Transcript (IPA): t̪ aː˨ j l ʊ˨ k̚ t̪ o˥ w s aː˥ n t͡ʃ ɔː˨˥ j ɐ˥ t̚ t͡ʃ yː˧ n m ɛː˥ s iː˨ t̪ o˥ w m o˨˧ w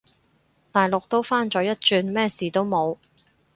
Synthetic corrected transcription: t̪ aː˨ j l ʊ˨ k̚ t̪ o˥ w f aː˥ n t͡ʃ ɔː˨˥ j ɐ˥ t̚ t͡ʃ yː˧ n m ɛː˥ s iː˨ t̪ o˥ w m o˨˧ w

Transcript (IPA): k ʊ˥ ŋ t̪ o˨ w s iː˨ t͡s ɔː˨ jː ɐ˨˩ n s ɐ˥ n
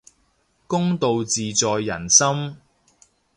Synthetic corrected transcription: k ʊ˥ ŋ t̪ o˨ w t͡s iː˨ t͡s ɔː˨ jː ɐ˨˩ n s ɐ˥ m

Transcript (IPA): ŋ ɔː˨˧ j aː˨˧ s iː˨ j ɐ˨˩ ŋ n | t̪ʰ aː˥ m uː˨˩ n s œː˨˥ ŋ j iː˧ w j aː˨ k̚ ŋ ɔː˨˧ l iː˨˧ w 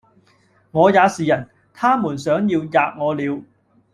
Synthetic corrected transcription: ŋ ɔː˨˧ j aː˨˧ s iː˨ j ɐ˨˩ n | t̪ʰ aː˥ m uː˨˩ n s œː˨˥ ŋ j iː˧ w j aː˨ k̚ ŋ ɔː˨˧ l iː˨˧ w

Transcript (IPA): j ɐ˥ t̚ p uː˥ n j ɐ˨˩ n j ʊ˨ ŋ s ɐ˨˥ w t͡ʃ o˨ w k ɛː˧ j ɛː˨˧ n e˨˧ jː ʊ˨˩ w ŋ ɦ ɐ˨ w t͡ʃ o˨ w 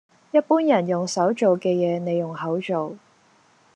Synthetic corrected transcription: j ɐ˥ t̚ p uː˥ n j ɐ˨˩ n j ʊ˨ ŋ s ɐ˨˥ w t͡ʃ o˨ w k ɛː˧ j ɛː˨˧ n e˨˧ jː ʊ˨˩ ŋ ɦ ɐ˨˥ w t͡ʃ o˨ w

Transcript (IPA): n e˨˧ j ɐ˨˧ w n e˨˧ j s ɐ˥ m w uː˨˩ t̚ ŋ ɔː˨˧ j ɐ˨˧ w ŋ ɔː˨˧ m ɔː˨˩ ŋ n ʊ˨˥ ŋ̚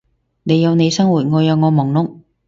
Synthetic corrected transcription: n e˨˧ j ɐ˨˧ w n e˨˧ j s ɐ˥ ŋ w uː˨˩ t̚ ŋ ɔː˨˧ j ɐ˨˧ w ŋ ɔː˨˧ m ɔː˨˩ ŋ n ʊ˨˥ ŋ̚

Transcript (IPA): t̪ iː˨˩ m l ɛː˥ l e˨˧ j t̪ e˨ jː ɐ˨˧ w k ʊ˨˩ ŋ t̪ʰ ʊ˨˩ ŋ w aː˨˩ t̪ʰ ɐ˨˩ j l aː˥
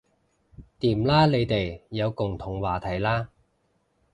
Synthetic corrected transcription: t̪ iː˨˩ m l aː˥ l e˨˧ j t̪ e˨ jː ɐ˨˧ w k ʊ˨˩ ŋ t̪ʰ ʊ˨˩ ŋ w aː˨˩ t̪ʰ ɐ˨˩ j l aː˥

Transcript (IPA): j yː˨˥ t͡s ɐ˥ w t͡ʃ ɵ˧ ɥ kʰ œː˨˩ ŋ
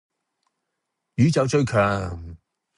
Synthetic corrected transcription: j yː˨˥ t͡s ɐ˨˧ w t͡ʃ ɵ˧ ɥ kʰ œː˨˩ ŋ

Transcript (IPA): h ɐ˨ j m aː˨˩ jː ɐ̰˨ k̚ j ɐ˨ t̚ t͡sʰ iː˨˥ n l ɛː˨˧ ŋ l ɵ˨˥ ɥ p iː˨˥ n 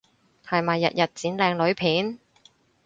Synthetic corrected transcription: h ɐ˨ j m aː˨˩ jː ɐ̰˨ t̚ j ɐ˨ t̚ t͡s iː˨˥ n l ɛː˨˧ ŋ l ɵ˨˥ ɥ pʰ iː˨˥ n

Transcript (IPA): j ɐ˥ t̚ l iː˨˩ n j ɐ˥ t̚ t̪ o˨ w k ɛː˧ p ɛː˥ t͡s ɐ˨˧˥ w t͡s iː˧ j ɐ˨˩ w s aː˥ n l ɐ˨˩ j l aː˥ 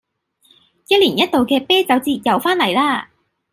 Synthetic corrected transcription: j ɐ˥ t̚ l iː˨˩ n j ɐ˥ t̚ t̪ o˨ w k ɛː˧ p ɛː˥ t͡s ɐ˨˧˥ w t͡s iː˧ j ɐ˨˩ w f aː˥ n l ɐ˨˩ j l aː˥

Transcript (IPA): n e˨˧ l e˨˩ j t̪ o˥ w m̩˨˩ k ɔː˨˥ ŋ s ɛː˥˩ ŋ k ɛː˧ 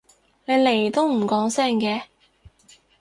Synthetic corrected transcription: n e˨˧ l e˨˩ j t̪ o˥ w m̩˨˩ k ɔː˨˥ ŋ s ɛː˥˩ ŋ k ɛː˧

